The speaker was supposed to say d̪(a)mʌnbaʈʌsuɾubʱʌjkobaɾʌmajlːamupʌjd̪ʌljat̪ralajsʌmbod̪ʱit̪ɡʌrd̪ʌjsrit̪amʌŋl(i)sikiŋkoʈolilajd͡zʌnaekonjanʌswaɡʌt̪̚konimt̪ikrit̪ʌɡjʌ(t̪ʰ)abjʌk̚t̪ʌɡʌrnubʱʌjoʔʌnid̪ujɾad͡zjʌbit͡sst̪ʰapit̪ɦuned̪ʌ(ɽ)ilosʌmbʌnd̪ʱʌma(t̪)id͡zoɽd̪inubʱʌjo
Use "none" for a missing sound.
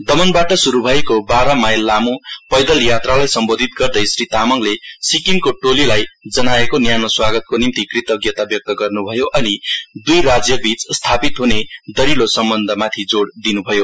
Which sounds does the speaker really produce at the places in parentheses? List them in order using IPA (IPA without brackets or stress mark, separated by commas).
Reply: ʌ, e, t̪, ɾ, t̪ʰ